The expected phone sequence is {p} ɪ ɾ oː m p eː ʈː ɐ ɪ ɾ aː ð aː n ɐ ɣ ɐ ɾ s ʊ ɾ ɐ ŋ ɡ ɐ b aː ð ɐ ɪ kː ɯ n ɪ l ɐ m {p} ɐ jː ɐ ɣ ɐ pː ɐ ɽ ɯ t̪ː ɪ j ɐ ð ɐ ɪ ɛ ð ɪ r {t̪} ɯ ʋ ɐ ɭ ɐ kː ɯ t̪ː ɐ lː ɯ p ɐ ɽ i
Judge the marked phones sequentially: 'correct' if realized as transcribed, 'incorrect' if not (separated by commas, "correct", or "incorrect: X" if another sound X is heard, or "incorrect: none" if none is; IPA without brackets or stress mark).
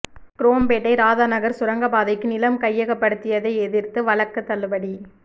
incorrect: k, incorrect: k, correct